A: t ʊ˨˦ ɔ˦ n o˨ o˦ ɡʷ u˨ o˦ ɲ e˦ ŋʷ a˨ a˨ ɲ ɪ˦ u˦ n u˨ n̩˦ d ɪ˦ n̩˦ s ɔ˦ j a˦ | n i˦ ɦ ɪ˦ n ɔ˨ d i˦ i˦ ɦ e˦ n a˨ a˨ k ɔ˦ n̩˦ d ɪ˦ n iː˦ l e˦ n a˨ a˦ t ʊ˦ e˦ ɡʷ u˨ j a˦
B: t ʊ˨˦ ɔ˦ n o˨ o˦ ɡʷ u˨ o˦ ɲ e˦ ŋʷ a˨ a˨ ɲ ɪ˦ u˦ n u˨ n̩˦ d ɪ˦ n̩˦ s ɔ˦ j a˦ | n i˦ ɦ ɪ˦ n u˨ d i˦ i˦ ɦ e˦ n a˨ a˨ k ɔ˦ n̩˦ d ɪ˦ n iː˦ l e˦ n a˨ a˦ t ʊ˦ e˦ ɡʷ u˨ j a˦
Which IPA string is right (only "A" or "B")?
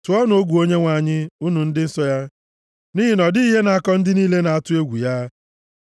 A